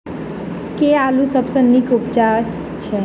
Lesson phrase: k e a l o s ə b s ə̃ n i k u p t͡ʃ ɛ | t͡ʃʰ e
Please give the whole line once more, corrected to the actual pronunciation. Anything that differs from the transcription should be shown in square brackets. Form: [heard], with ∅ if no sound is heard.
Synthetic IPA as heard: k e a l [u] s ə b s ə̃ n i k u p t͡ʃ [a] | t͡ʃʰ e